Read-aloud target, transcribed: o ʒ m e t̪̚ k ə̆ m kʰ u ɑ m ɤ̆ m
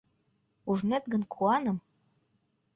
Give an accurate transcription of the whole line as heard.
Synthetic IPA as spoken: u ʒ n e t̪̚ ɡ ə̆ n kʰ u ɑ n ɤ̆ m